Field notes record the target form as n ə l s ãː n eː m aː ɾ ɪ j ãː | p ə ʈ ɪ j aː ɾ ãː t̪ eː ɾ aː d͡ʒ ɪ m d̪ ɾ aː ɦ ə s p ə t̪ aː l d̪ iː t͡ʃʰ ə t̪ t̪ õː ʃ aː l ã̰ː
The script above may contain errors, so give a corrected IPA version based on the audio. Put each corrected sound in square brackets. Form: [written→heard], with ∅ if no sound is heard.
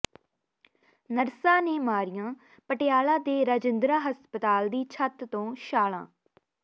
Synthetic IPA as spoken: n ə [l→ɾ] s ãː n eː m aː ɾ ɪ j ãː | p ə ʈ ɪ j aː [ɾ→l] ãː [t̪→d̪] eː ɾ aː d͡ʒ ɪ [m→n] d̪ ɾ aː ɦ ə s p ə t̪ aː l d̪ iː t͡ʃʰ ə t̪ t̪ õː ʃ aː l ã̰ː